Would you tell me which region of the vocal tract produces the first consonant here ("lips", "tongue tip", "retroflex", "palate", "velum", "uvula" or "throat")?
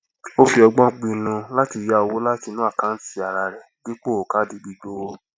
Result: lips